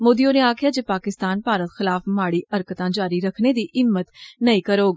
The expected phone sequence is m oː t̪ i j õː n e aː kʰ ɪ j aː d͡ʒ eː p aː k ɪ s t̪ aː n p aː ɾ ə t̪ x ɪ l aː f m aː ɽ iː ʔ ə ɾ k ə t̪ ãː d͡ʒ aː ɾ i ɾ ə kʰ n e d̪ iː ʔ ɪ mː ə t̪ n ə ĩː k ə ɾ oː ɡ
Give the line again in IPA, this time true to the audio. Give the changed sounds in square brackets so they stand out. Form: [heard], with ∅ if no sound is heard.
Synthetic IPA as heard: m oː [d̪] i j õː n e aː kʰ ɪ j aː d͡ʒ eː p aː k ɪ s t̪ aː n p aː ɾ ə t̪ x ɪ l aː f m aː ɽ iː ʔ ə ɾ k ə t̪ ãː d͡ʒ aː ɾ i ɾ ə kʰ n e d̪ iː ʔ ɪ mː ə t̪ n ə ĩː k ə ɾ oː ɡ